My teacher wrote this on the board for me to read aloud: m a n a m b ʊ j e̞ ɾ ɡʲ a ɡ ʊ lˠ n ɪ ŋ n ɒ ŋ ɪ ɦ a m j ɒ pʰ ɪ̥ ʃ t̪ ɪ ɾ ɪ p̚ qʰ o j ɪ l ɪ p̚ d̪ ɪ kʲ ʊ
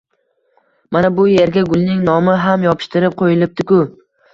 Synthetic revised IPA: m a n a b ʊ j e̞ ɾ ɡʲ a ɡ ʊ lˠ n ɪ ŋ n ɒ m ɪ ɦ a m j ɒ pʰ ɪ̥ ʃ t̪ ɪ ɾ ɪ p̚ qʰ o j ɪ l ɪ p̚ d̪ ɪ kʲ ʊ